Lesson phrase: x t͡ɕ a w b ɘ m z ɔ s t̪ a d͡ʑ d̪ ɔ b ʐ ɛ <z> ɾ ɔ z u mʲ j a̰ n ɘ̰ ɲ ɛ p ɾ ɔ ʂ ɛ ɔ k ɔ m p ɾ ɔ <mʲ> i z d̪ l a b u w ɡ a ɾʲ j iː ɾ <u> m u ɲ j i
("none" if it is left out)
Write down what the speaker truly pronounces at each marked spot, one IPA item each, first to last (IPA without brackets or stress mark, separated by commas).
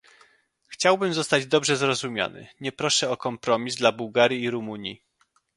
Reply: z, mʲ, u